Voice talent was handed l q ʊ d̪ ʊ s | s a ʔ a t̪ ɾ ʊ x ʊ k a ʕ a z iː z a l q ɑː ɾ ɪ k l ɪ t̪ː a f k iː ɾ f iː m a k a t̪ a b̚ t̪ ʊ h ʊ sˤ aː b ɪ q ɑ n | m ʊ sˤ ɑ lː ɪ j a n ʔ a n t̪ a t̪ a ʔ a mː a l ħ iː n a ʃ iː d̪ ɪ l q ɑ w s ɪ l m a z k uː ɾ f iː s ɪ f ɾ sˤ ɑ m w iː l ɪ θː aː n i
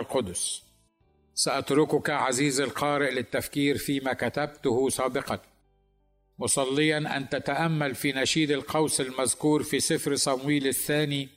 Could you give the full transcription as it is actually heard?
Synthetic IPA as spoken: l q ʊ d̪ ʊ s | s a ʔ a t̪ ɾ ʊ k ʊ k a ʕ a z iː z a l q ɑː ɾ ɪ ʔ l ɪ t̪ː a f k iː ɾ f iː m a k a t̪ a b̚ t̪ ʊ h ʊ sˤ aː b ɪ q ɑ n | m ʊ sˤ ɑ lː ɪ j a n ʔ a n t̪ a t̪ a ʔ a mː a l f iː n a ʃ iː d̪ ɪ l q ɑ w s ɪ l m a z k uː ɾ f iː s ɪ f ɾ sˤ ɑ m w iː l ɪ θː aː n i